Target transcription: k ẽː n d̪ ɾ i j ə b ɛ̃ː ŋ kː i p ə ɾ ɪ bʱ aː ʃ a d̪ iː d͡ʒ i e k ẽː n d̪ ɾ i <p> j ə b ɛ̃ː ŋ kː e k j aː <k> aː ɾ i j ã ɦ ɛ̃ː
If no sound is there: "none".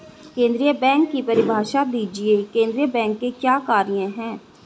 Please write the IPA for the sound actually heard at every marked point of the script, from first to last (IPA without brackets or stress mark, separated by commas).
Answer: none, k